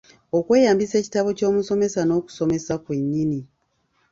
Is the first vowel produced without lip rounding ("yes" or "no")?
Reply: no